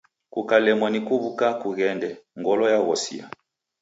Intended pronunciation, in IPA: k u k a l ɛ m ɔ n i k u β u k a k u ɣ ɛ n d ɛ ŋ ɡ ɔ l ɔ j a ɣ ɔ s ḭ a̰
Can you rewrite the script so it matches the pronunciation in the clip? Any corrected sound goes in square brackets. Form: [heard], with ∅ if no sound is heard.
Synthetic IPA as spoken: k u k a l ɛ m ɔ n i k u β u k a k u ɣ ɛ n d ɛ ŋ ɡ ɔ l ɔ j a ɣ ɔ s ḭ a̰